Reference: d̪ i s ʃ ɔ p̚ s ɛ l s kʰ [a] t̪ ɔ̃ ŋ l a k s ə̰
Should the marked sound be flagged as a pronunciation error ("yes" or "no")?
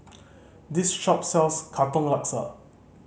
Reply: no